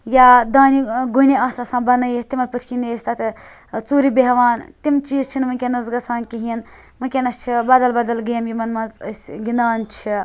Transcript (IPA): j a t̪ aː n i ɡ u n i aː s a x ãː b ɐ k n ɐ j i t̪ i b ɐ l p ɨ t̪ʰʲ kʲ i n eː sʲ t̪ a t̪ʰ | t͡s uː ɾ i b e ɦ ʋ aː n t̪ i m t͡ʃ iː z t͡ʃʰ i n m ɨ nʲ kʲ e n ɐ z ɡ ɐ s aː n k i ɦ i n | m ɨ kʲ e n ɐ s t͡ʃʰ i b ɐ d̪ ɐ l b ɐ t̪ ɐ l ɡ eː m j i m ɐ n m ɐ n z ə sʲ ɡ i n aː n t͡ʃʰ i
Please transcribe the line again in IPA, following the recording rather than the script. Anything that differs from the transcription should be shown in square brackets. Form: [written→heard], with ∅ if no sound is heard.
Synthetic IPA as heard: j a [t̪→d̪] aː n i ɡ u n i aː s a [x→s] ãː b ɐ [k→∅] n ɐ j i t̪ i [b→m] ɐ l p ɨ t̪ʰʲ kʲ i n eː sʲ t̪ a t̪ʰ | t͡s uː ɾ i b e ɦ ʋ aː n t̪ i m t͡ʃ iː z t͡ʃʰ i n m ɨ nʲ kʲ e n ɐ z ɡ ɐ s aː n k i ɦ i n | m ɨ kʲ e n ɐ s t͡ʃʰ i b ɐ d̪ ɐ l b ɐ [t̪→d̪] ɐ l ɡ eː m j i m ɐ n m ɐ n z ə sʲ ɡ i n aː n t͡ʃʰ i